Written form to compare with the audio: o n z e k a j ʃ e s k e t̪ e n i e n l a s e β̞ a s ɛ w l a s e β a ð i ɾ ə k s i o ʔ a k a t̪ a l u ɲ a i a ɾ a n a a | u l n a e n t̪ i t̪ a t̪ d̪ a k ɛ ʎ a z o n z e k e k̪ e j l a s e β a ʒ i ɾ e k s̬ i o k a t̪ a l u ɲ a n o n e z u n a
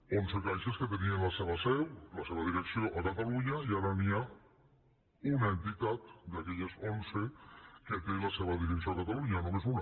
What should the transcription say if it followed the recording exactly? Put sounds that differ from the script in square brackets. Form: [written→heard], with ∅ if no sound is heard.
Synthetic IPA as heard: o n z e k a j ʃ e s k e t̪ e n i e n l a s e β̞ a s ɛ w l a s e β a ð i ɾ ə k s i o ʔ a k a t̪ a l u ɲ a i a ɾ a n [a→i] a | u [l→∅] n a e n t̪ i t̪ a t̪ d̪ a k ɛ ʎ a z o n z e k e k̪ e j l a s e β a [ʒ→ð] i ɾ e k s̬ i o k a t̪ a l u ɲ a n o [n→m] e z u n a